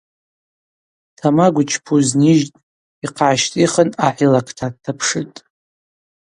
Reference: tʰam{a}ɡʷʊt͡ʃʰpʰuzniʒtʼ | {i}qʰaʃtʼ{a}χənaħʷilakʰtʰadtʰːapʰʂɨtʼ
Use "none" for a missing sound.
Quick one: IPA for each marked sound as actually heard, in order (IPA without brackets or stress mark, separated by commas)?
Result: a, i, i